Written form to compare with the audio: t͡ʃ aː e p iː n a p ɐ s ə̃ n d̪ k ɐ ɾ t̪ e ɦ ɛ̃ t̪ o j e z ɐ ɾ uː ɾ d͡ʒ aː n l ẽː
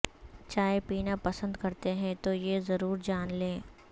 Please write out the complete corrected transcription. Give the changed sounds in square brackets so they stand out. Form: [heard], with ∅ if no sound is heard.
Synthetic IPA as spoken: t͡ʃ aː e p iː n a p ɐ s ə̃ n d̪ k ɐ ɾ t̪ e ɦ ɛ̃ t̪ o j e z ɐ ɾ uː ɾ d͡ʒ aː n l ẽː